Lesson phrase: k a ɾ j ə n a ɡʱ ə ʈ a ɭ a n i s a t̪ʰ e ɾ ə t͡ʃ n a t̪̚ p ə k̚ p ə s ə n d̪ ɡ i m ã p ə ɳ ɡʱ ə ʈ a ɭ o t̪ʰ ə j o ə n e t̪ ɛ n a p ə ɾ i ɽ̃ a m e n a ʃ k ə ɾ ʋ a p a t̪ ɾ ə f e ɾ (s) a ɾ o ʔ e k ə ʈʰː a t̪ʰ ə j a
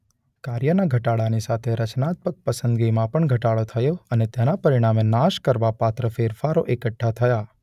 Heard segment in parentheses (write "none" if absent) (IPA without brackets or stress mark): f